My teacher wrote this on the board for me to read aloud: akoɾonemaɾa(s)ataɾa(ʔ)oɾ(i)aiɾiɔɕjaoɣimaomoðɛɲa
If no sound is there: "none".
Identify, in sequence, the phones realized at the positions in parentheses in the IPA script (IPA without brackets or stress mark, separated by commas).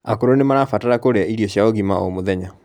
f, k, e